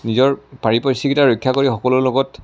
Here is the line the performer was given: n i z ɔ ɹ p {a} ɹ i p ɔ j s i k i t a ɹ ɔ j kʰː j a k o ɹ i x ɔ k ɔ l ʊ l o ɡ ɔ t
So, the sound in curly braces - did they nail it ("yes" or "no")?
yes